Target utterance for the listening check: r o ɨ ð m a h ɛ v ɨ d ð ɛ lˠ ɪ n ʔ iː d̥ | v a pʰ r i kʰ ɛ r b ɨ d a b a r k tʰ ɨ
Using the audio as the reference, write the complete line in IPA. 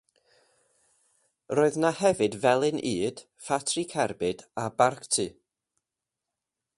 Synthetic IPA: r o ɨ ð n a h ɛ v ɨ d v ɛ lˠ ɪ n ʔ iː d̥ | f a tʰ r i kʰ ɛ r b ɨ d a b a r k tʰ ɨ